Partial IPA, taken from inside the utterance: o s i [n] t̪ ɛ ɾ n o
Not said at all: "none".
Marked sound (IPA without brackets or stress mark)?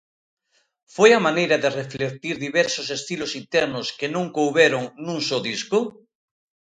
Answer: n